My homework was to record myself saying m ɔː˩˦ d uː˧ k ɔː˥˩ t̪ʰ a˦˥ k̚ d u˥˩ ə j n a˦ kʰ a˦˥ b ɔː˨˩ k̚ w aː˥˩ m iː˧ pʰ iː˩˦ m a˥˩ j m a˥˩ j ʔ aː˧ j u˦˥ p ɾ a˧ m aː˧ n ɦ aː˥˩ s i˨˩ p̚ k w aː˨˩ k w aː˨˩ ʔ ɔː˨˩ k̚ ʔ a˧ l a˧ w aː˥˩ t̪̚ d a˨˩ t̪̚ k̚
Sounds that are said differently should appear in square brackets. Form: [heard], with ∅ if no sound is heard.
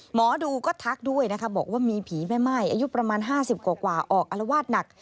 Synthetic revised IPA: m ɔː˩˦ d uː˧ k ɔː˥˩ t̪ʰ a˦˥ k̚ d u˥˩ ə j n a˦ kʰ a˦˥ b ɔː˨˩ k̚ w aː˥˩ m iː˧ pʰ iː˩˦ m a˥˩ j m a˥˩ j ʔ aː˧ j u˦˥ p ɾ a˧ m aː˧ n ɦ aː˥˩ s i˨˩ p̚ k w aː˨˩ k w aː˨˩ ʔ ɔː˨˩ k̚ ʔ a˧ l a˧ w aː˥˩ t̪̚ [n] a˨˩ [∅] k̚